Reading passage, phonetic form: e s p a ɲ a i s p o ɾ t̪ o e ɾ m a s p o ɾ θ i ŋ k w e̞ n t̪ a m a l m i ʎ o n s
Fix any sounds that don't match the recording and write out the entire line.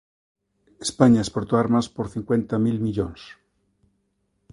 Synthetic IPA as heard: e s p a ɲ a e s p o ɾ t̪ o a ɾ m a s p o ɾ θ i ŋ k w e̞ n t̪ a m i l m i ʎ o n s